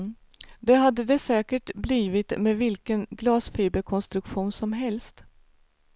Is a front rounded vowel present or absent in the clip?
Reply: absent